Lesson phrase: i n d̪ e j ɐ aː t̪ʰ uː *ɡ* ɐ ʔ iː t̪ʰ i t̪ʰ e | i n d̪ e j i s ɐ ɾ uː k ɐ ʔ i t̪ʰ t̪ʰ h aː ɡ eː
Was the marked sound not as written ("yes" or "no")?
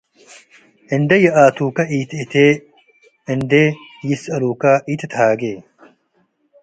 yes